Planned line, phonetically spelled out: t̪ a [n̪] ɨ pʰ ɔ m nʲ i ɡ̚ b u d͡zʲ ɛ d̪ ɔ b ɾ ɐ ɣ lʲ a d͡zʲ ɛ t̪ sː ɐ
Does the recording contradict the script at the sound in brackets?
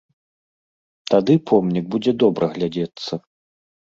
yes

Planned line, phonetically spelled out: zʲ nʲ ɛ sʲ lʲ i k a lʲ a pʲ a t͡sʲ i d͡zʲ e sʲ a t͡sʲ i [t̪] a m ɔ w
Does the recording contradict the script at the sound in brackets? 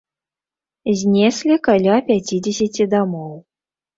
yes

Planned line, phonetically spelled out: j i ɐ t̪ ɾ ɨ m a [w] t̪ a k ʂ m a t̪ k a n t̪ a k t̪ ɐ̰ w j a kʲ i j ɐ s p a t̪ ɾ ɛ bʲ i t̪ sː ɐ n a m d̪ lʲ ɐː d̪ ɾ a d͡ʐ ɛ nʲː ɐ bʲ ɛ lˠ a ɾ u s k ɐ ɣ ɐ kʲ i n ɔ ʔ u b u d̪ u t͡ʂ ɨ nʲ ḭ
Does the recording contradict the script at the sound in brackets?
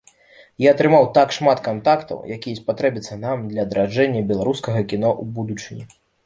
no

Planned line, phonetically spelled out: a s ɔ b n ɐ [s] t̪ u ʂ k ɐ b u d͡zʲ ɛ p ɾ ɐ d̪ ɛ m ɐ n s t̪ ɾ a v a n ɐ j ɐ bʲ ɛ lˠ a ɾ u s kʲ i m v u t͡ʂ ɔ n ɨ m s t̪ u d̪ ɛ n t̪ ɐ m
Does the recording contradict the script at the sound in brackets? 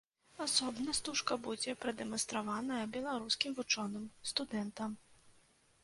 no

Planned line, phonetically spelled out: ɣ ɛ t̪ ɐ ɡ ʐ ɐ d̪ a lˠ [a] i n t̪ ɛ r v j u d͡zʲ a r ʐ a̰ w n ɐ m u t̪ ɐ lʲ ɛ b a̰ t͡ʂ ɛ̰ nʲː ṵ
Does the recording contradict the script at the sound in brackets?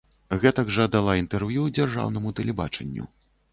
no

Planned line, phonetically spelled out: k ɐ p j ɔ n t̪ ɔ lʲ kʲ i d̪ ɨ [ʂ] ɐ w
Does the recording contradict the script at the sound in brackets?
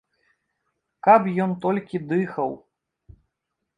yes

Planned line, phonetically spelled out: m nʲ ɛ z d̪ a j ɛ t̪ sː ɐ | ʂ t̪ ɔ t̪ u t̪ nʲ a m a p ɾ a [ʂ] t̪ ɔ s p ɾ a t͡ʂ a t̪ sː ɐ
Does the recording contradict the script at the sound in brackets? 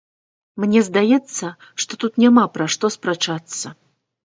no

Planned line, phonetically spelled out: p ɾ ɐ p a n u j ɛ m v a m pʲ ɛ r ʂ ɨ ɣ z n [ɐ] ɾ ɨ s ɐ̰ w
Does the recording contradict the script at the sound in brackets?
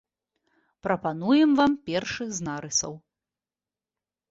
yes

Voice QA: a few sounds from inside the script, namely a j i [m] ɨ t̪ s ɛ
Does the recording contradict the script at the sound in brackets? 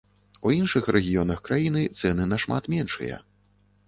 yes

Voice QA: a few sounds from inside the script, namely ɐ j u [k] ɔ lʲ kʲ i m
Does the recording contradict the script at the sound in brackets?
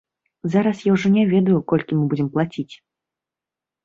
no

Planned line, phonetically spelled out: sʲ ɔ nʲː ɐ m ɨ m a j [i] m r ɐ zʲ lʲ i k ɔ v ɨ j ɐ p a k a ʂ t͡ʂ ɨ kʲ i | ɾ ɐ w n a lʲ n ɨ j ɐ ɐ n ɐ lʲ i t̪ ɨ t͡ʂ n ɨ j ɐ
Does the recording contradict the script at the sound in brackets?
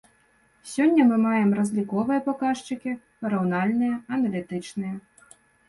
yes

